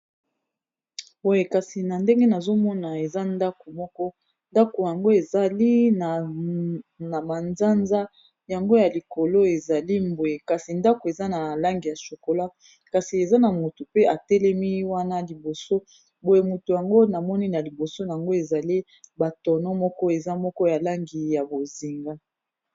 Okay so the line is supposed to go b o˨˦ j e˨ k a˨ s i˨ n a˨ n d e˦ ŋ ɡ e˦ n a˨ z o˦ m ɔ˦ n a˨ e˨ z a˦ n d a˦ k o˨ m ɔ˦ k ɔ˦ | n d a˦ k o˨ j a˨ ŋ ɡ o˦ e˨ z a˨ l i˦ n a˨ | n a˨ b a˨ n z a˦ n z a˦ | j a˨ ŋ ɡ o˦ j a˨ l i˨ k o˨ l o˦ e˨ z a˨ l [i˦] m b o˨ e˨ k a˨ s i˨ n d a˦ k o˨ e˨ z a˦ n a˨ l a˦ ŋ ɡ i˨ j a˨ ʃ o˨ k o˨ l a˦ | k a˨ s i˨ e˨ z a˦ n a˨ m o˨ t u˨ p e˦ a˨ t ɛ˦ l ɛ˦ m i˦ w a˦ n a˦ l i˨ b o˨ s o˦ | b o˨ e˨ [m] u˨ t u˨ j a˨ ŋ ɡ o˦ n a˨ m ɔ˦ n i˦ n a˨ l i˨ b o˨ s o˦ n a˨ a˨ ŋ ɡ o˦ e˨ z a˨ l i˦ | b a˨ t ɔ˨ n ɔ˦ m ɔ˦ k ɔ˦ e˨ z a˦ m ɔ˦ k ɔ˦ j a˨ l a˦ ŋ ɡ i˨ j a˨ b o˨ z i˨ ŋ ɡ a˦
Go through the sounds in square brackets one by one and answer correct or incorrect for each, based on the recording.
correct, correct

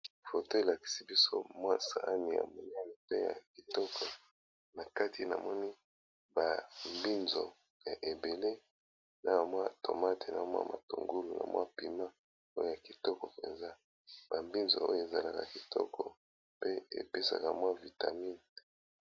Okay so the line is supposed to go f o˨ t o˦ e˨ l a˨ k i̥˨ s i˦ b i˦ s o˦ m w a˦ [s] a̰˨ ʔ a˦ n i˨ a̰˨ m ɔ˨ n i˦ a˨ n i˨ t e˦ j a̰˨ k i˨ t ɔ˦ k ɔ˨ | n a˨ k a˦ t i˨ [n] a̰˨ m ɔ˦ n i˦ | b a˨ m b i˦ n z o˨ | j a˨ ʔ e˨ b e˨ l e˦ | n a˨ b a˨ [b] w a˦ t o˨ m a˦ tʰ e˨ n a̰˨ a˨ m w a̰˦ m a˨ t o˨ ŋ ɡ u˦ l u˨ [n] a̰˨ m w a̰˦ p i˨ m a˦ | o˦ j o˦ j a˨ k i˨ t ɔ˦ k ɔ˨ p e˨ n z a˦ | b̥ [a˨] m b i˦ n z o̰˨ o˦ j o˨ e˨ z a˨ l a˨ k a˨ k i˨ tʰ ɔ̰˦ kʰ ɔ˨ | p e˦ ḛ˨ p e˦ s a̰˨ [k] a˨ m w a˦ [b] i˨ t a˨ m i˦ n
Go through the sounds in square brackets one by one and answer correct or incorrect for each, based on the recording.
correct, correct, incorrect, correct, correct, correct, incorrect

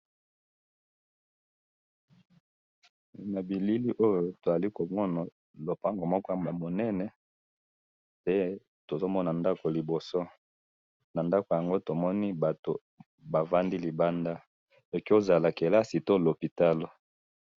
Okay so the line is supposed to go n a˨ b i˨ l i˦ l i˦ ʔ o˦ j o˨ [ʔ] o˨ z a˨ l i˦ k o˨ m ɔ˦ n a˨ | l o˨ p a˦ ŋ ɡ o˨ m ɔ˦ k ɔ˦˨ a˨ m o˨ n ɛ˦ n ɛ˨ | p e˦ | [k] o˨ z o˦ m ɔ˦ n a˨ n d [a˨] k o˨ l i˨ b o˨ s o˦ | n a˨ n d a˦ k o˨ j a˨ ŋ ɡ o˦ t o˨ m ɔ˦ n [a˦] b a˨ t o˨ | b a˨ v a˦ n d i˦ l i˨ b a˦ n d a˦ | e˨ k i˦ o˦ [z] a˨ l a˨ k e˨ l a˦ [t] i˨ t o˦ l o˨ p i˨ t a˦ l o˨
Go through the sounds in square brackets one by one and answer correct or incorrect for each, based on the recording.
incorrect, incorrect, incorrect, incorrect, correct, incorrect

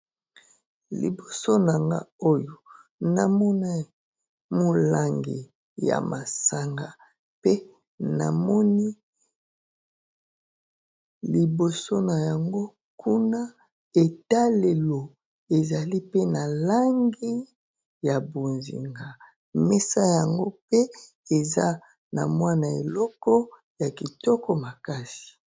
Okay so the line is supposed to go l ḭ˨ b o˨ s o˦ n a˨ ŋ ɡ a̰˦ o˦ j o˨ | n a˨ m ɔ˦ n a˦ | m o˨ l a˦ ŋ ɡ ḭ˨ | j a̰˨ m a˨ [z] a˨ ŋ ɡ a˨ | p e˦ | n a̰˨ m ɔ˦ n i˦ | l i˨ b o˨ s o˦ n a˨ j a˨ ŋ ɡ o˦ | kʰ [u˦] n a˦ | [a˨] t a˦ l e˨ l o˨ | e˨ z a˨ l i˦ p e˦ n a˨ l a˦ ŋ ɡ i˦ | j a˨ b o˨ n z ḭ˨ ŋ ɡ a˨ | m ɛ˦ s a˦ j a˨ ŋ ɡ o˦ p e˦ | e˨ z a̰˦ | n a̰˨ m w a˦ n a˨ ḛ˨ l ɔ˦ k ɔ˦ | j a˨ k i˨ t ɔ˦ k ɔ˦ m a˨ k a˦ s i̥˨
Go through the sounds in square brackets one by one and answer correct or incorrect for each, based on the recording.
incorrect, correct, incorrect

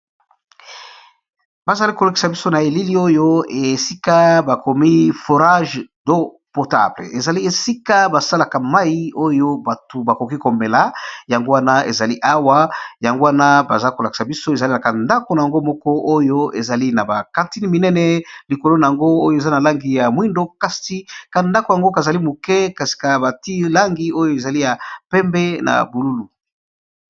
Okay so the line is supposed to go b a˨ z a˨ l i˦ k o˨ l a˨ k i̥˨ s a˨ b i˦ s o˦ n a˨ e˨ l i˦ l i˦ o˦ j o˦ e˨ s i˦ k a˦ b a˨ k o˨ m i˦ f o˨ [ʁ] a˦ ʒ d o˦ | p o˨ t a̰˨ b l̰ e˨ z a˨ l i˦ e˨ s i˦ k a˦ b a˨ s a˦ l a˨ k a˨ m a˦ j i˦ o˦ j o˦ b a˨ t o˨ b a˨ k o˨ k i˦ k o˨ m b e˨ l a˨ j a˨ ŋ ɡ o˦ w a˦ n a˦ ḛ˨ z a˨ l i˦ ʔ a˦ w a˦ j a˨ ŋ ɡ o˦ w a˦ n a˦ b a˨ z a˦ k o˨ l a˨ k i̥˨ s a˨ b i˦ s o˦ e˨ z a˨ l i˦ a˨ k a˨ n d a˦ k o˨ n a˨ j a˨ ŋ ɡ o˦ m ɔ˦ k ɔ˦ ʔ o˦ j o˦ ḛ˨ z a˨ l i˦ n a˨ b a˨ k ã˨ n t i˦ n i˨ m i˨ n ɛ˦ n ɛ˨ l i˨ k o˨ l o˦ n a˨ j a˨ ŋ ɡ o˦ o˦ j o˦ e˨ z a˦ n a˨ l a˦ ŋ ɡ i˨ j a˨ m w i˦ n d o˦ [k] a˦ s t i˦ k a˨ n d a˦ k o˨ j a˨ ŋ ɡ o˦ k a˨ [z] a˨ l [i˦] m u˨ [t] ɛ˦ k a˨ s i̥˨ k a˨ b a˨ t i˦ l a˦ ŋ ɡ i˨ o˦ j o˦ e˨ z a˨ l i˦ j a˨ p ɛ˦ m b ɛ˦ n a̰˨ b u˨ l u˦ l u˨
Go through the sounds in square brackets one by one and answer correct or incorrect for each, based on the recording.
correct, correct, correct, correct, incorrect

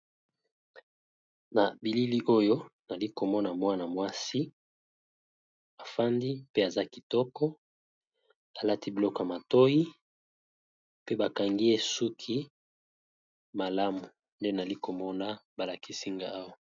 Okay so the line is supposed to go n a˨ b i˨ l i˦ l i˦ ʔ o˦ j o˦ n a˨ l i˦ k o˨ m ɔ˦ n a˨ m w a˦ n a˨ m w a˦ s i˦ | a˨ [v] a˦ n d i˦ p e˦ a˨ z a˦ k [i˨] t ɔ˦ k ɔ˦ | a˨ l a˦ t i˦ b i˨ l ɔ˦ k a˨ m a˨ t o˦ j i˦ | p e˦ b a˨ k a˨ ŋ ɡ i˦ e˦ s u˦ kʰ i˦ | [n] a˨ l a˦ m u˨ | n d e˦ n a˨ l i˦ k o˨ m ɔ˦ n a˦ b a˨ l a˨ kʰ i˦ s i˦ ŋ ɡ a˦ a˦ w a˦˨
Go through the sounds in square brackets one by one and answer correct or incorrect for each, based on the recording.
incorrect, correct, incorrect

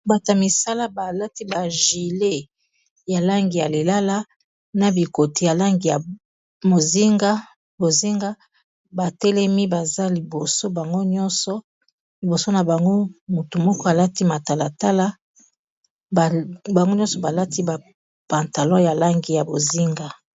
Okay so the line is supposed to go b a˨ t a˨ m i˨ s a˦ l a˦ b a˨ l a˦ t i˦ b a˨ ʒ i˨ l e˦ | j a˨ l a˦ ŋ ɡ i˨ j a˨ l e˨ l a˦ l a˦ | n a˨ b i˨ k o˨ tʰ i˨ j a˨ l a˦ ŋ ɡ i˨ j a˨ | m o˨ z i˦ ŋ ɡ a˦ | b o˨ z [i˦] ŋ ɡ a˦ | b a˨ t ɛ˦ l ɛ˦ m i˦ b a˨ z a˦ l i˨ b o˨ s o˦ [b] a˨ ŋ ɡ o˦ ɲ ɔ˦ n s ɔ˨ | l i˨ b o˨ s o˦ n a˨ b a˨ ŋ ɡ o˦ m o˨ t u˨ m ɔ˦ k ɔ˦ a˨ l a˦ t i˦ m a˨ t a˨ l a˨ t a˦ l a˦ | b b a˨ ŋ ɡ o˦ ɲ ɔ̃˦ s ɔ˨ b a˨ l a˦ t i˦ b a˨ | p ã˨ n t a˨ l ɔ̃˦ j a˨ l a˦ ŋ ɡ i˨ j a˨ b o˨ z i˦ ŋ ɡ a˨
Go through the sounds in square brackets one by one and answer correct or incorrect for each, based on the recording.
correct, correct

